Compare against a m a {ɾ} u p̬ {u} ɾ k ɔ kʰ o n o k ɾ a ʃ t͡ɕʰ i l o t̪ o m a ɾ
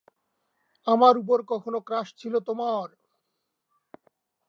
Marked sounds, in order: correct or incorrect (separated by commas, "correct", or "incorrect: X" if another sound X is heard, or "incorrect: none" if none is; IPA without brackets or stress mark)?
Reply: correct, incorrect: o